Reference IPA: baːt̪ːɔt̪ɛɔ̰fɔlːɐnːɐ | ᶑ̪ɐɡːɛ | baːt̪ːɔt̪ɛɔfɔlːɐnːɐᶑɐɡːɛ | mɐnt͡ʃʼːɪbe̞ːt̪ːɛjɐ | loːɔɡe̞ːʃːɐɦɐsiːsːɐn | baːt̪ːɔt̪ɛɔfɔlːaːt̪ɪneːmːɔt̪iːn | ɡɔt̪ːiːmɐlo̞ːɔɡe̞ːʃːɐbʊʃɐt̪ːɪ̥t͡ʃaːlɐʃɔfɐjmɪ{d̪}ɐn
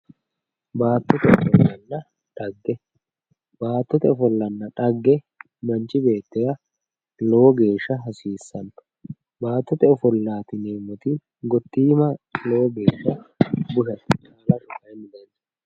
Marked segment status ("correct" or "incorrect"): correct